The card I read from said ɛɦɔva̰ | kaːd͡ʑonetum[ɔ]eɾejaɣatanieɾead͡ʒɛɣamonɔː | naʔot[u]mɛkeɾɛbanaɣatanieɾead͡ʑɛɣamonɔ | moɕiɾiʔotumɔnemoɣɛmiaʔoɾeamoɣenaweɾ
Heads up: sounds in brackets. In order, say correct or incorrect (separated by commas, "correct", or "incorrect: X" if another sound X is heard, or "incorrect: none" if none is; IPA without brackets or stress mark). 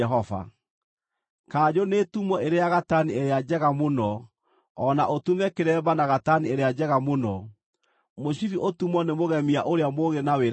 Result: correct, correct